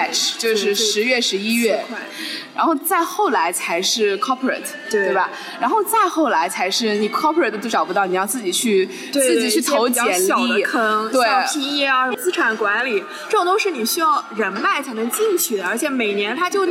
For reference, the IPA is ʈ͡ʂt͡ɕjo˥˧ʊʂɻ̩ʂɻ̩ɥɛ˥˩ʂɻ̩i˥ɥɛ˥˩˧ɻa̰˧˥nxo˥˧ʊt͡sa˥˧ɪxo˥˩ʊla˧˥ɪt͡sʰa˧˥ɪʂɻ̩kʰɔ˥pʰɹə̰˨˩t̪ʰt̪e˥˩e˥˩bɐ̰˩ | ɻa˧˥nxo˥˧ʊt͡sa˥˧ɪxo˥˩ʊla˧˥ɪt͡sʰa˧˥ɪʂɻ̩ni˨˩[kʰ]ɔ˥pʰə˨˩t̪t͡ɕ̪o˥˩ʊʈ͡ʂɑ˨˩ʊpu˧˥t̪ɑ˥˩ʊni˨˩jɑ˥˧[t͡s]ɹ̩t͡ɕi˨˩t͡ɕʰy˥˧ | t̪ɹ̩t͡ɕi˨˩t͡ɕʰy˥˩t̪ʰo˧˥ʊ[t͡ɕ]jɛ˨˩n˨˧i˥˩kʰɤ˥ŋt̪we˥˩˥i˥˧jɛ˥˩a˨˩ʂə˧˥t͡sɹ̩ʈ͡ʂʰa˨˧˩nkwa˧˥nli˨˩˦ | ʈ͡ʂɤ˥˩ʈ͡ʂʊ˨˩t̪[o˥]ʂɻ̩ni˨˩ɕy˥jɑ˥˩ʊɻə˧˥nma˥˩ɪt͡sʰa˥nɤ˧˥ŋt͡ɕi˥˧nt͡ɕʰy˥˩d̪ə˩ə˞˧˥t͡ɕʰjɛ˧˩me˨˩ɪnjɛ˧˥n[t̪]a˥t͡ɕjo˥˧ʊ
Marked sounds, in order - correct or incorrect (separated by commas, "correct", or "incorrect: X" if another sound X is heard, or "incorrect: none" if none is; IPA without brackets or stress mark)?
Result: correct, correct, correct, correct, incorrect: t̪ʰ